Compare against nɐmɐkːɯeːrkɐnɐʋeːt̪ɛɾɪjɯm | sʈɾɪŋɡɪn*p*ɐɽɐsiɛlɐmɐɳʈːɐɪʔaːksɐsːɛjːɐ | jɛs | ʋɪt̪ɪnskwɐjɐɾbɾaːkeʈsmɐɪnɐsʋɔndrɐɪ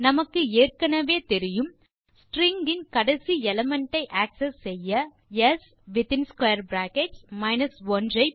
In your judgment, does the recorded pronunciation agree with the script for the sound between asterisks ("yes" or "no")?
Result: no